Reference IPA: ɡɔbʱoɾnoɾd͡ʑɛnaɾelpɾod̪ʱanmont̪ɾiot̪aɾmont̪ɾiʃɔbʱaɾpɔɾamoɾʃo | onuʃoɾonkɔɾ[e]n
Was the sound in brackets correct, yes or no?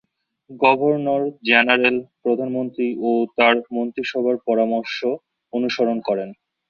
yes